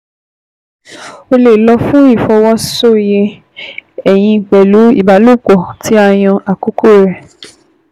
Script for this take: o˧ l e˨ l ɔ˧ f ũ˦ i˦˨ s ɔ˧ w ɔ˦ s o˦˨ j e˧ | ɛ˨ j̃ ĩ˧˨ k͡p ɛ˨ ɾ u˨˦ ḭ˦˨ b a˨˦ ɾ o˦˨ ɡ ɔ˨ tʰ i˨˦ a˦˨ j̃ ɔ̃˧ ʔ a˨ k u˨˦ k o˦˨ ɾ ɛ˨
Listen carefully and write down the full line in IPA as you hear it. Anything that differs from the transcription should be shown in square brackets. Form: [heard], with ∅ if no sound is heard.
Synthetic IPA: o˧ l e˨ l ɔ˧ f ũ˦ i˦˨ [f] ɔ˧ w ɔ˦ s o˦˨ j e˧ | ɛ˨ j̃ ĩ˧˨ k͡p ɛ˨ [l] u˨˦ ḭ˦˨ b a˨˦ [l] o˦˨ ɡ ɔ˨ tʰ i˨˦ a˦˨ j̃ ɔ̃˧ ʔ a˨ k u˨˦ k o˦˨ ɾ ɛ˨